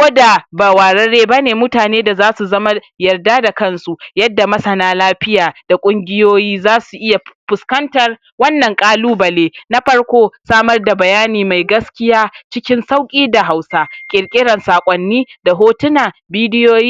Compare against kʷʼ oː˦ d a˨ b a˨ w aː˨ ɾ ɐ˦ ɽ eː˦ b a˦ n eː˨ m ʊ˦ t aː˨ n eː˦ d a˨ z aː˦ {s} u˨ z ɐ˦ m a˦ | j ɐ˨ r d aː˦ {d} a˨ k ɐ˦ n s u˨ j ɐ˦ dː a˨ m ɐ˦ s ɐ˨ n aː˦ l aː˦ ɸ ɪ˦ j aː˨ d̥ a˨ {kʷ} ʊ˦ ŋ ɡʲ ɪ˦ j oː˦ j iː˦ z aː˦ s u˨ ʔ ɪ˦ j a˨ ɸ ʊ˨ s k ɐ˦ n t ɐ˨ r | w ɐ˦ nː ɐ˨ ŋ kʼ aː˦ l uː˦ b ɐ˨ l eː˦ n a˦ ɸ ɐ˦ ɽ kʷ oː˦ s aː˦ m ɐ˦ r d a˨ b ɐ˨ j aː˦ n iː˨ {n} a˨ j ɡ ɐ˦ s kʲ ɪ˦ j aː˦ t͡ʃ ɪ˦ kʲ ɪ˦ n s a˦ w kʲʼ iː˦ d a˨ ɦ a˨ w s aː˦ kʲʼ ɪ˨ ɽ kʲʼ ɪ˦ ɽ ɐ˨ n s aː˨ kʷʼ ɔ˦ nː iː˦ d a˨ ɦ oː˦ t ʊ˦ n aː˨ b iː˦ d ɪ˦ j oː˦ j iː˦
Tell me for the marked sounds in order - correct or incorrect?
correct, correct, incorrect: kʷʼ, incorrect: m

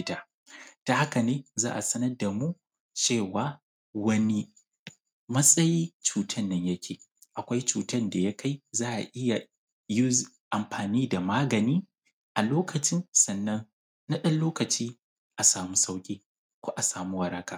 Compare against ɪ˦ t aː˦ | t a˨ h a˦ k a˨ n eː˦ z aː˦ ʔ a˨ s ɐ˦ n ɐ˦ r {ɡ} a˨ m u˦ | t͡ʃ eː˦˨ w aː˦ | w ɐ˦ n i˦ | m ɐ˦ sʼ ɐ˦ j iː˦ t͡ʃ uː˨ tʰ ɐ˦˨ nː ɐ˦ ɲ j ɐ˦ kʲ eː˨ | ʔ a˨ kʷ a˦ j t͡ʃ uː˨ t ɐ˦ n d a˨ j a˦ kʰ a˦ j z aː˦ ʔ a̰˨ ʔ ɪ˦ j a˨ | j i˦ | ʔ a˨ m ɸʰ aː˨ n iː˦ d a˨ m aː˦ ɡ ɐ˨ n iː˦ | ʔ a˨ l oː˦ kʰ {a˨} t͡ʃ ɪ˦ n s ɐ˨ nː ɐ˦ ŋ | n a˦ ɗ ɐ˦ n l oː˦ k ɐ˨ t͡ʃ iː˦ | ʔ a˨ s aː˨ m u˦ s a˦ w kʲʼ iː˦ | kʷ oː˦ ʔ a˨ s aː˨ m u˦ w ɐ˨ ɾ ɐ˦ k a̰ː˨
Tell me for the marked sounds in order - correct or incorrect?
incorrect: d, incorrect: ɐ˨

